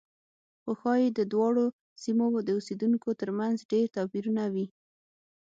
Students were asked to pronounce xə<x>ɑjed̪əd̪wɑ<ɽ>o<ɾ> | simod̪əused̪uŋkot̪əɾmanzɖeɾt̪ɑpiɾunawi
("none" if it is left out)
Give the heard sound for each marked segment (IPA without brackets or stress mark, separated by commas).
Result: x, ɽ, none